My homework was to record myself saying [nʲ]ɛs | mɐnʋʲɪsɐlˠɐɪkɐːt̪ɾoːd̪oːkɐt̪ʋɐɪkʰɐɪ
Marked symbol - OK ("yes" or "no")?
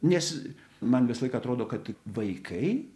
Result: yes